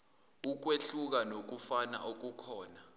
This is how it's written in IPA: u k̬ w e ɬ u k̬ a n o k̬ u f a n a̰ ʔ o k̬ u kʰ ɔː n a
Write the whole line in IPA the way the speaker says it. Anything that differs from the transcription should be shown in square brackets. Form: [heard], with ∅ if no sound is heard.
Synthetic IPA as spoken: u k̬ w e ɬ u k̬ a n o k̬ u f a n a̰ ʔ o k̬ u kʰ ɔː n a